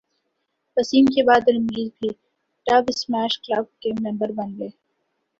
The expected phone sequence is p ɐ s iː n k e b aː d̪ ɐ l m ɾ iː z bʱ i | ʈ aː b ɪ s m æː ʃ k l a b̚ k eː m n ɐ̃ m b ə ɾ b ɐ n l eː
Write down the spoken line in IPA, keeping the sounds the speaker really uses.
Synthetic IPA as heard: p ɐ s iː m k e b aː d̪ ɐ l m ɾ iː z bʱ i | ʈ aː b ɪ s m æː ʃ k l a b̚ k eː m n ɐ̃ m b ə ɾ b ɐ n l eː